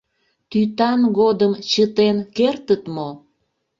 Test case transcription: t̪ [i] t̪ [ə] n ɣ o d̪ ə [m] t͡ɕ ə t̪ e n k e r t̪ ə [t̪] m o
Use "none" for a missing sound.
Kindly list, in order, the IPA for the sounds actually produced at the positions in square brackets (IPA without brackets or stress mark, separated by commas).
y, ɑ, m, t̪